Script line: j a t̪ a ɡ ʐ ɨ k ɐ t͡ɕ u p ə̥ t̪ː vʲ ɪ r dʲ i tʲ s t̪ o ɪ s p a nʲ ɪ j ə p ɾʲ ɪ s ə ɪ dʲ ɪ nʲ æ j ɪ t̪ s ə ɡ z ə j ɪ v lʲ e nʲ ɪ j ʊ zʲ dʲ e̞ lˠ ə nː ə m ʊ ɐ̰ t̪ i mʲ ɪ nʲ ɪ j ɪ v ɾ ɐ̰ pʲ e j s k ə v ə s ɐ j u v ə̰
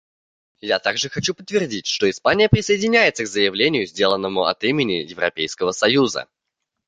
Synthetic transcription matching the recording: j a t̪ a ɡ ʐ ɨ x ɐ t͡ɕ u p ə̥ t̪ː vʲ ɪ r dʲ i tʲ ʂ t̪ o ɪ s p a nʲ ɪ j ə p ɾʲ ɪ s ə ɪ dʲ ɪ nʲ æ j ɪ t̪ s ə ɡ z ə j ɪ v lʲ e nʲ ɪ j ʊ zʲ dʲ e̞ lˠ ə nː ə m ʊ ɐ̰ t̪ i mʲ ɪ nʲ ɪ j ɪ v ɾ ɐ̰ pʲ e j s k ə v ə s ɐ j u z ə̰